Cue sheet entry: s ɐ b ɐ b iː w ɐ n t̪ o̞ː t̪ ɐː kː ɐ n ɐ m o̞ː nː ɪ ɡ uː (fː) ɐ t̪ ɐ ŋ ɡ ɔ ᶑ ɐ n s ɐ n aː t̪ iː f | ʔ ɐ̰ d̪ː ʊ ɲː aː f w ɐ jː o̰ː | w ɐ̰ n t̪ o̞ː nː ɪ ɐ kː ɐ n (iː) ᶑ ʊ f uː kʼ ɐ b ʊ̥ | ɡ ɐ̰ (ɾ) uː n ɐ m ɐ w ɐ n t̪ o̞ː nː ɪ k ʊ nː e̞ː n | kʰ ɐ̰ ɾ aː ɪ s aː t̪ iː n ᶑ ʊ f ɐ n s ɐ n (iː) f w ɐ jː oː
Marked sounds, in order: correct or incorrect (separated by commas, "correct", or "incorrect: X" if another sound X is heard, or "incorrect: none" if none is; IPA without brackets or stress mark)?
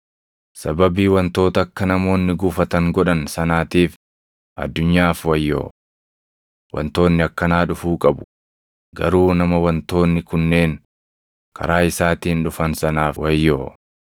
incorrect: f, incorrect: aː, correct, incorrect: aː